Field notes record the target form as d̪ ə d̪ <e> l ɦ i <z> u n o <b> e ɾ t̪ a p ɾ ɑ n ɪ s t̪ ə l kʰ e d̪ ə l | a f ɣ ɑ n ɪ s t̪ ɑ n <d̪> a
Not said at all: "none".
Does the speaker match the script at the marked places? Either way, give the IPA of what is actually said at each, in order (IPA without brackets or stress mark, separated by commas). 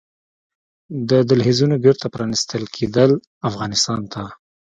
a, z, b, t̪